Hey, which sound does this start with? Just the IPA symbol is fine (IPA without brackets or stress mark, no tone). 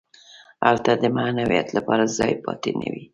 a